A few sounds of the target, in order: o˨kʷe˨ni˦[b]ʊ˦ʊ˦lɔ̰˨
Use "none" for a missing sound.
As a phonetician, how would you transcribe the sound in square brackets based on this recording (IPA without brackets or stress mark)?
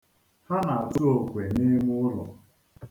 m